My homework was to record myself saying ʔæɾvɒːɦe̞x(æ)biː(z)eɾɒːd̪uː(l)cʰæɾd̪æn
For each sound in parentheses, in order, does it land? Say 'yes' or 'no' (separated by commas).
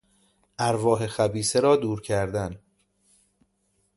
yes, no, no